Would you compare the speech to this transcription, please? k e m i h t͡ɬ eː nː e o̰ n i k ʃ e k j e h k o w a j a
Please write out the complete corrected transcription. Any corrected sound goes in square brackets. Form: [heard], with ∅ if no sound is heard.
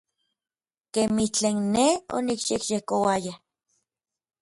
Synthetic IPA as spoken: k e m i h t͡ɬ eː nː e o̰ n i k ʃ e k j e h k o w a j a